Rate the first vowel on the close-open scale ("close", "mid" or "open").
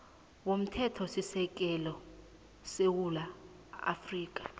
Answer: mid